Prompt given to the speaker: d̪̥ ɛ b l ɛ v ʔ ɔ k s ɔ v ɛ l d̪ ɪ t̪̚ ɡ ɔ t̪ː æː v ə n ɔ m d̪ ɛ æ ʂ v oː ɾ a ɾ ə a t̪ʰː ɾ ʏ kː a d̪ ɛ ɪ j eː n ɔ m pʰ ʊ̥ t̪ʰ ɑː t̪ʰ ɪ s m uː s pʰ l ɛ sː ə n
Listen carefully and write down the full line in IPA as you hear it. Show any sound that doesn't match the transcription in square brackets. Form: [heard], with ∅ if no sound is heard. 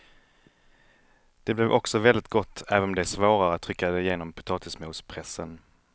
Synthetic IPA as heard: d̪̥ ɛ b l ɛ v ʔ ɔ k s ɔ v ɛ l d̪ ɪ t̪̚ ɡ ɔ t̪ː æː v ə n ɔ m d̪ ɛ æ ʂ v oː ɾ a ɾ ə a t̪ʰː ɾ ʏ kː a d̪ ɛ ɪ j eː n ɔ m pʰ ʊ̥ t̪ʰ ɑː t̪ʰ ɪ s m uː s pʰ [ɾ] ɛ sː ə n